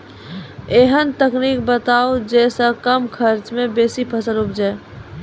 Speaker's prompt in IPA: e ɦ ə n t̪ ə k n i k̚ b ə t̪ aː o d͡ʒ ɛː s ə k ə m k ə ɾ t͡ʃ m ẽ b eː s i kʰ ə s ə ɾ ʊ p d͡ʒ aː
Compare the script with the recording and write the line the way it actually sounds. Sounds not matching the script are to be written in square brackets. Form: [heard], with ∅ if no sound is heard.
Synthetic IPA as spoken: e ɦ ə n t̪ ə k n i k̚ b ə t̪ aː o d͡ʒ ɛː s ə k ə m [kʰ] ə ɾ t͡ʃ m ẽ b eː s i [pʰ] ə s ə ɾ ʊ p d͡ʒ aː